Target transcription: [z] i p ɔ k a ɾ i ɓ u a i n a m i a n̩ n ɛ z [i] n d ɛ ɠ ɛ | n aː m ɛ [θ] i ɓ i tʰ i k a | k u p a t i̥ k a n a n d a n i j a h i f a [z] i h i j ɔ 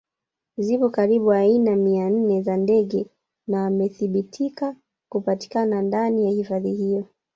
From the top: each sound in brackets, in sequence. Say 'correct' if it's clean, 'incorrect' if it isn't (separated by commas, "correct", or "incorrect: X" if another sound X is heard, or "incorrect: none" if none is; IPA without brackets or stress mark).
correct, incorrect: a, correct, incorrect: ð